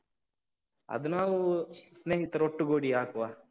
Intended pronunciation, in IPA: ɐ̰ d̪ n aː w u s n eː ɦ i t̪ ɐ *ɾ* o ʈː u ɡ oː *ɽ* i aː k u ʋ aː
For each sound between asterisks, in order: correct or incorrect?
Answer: correct, correct

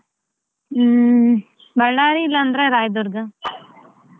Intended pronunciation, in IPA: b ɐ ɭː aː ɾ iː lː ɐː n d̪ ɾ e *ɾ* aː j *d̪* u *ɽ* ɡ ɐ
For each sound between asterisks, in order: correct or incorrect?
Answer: correct, correct, incorrect: ɾ

